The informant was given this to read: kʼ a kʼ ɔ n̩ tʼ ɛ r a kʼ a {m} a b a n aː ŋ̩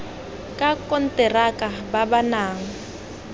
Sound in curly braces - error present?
yes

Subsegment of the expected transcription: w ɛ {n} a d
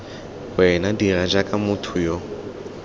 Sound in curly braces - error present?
no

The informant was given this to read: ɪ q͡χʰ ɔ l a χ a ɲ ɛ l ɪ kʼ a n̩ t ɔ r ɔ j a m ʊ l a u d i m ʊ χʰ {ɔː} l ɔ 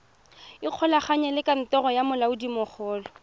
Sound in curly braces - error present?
no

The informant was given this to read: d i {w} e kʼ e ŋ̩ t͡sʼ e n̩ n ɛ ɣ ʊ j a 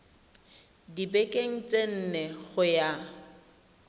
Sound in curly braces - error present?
yes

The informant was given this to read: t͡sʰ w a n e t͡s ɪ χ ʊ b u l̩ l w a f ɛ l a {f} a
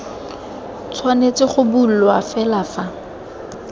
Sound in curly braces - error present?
no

